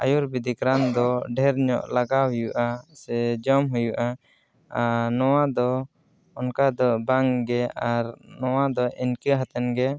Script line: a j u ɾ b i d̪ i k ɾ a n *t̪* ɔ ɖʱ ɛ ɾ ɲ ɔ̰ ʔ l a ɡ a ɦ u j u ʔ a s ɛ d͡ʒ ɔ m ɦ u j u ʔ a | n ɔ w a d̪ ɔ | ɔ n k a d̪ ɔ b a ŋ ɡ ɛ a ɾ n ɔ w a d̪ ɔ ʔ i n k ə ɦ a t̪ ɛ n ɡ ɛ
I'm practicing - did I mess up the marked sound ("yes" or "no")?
yes